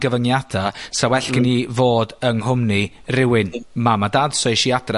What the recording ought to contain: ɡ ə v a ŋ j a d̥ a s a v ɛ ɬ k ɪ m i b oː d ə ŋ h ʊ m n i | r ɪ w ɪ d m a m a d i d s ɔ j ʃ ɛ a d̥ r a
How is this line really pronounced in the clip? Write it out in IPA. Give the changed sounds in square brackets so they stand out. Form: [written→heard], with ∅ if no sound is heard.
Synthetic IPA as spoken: ɡ ə v [a→ə] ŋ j a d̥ a s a [v→w] ɛ ɬ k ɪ [m→n] i [b→v] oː d ə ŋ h ʊ m n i | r ɪ w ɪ [d→n] m a m a d [i→a] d s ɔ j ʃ [ɛ→i] a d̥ r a